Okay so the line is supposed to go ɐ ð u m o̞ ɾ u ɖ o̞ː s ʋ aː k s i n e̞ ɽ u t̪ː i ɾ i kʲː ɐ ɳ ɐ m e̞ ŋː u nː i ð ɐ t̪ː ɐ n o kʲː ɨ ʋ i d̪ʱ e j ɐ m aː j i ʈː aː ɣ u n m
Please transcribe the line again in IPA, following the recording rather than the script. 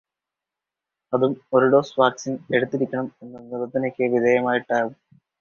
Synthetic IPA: ɐ ð u m o̞ ɾ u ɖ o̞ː s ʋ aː k s i n e̞ ɽ u t̪ː i ɾ i kʲː ɐ ɳ ɐ m e̞ nː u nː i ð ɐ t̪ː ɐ n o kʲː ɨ ʋ i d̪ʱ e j ɐ m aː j i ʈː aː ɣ u m